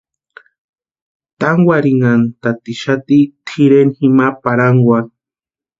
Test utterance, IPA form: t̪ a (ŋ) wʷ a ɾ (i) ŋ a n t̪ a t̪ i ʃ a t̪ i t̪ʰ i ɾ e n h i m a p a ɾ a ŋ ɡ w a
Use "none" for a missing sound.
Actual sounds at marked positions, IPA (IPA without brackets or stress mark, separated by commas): ŋ, i